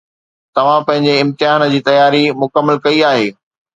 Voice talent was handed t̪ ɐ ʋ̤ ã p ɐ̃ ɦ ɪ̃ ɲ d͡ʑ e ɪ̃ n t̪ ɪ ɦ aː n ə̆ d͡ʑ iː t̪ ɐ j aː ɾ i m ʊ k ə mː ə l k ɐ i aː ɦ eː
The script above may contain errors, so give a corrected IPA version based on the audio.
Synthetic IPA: t̪ ɐ ʋ̤ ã p ɐ̃ ɦ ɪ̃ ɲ d͡ʑ e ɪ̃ m t̪ ɪ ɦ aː n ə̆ d͡ʑ iː t̪ ɐ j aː ɾ i m ʊ k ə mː ə l k ɐ i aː ɦ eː

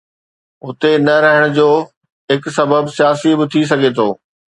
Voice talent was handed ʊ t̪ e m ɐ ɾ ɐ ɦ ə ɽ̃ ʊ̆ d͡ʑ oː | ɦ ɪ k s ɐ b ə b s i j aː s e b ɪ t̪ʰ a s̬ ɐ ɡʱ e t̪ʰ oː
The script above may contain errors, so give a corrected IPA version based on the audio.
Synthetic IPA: ʊ t̪ e n ɐ ɾ ɐ ɦ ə ɽ̃ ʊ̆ d͡ʑ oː | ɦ ɪ k s ɐ b ə b s i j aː s i b ɪ t̪ʰ i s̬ ɐ ɡʱ e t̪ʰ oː

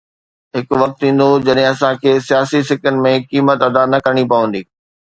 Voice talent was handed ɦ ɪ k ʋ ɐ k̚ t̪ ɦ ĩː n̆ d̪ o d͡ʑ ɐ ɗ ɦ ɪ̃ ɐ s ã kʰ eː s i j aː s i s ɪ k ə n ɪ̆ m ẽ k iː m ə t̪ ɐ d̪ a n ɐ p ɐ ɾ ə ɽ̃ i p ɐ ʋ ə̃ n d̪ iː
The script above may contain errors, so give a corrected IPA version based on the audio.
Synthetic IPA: ɦ ɪ k ʋ ɐ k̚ t̪ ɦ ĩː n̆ d̪ o d͡ʑ ɐ ɗ ɦ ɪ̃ ɐ s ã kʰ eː s i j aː s i s ɪ k ə n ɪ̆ m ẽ k iː m ə t̪ ɐ d̪ a n ɐ k ɐ ɾ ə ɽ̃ i p ɐ ʋ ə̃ n d̪ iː

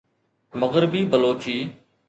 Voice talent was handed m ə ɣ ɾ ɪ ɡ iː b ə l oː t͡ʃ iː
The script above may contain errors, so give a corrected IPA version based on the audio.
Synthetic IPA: m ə ɣ ɾ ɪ b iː b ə l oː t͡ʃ iː

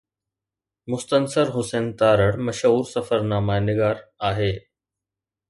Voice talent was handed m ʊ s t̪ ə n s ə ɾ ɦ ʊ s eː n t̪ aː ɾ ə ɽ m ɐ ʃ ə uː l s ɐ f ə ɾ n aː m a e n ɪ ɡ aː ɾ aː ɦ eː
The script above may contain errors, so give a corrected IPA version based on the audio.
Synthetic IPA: m ʊ s t̪ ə n s ə ɾ ɦ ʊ s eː n t̪ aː ɾ ə ɽ m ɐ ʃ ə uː ɾ s ɐ f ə ɾ n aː m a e n ɪ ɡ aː ɾ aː ɦ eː

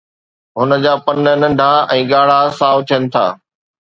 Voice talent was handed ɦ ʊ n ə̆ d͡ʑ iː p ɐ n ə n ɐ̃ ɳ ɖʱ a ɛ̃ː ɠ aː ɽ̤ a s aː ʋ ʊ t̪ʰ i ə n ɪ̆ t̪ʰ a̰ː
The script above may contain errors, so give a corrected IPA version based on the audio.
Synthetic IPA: ɦ ʊ n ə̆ d͡ʑ aː p ɐ n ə n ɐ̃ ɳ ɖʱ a ɛ̃ː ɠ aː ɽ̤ a s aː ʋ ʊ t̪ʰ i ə n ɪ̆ t̪ʰ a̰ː

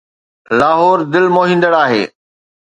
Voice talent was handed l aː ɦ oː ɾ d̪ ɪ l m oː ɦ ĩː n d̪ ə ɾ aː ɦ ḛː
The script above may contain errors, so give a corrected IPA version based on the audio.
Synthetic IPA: l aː ɦ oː ɾ d̪ ɪ l m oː ɦ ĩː n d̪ ə ɽ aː ɦ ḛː

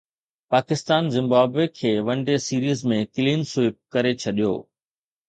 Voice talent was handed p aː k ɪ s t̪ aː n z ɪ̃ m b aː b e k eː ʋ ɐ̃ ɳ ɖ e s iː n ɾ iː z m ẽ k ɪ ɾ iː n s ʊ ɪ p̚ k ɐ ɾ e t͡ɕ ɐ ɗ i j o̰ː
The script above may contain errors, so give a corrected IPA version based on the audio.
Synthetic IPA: p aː k ɪ s t̪ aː n z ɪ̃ m b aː b e kʰ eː ʋ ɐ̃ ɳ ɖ e s iː ɾ iː z m ẽ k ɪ l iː n s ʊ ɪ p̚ k ɐ ɾ e t͡ɕʰ ɐ ɗ i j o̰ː

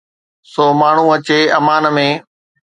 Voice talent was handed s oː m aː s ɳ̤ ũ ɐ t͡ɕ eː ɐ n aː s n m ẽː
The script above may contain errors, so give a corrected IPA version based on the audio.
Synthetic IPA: s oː m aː ɳ̤ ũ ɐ t͡ɕ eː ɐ m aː n m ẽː

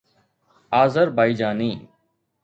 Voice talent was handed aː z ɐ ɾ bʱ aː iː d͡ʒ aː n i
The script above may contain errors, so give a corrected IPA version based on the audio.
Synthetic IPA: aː z ə ɾ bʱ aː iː d͡ʒ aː n iː

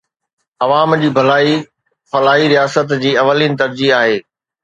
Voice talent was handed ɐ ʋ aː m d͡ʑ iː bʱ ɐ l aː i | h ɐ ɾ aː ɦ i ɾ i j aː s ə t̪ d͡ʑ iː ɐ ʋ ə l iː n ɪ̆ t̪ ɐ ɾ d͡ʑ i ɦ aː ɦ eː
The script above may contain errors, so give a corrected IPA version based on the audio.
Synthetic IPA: ɐ ʋ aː m d͡ʑ iː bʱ ɐ l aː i | f ɐ l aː ɦ i ɾ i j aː s ə t̪ d͡ʑ iː ɐ ʋ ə l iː n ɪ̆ t̪ ɐ ɾ d͡ʑ i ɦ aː ɦ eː

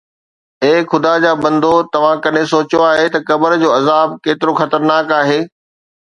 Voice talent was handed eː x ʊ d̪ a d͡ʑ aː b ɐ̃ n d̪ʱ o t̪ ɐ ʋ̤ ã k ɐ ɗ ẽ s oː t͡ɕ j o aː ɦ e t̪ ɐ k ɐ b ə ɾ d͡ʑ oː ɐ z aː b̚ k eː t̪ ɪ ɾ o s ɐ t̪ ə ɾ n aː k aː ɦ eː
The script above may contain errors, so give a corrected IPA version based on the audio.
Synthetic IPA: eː x ʊ d̪ a d͡ʑ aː b ɐ̃ n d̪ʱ o t̪ ɐ ʋ̤ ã k ɐ ɗ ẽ s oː t͡ɕ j o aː ɦ e t̪ ɐ k ɐ b ə ɾ d͡ʑ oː ɐ z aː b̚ k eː t̪ ɪ ɾ o x ɐ t̪ ə ɾ n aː k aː ɦ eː

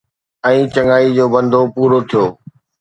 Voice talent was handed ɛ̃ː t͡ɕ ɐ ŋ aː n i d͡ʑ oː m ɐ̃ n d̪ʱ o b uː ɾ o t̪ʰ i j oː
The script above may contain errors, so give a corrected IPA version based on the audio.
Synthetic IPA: ɛ̃ː t͡ɕ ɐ ŋ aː i d͡ʑ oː b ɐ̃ n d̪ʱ o p uː ɾ o t̪ʰ i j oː

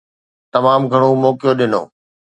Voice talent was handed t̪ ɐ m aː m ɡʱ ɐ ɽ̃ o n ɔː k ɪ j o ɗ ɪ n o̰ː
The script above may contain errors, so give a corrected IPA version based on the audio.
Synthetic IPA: t̪ ɐ m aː m ɡʱ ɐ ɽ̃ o m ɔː k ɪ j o ɗ ɪ n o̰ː

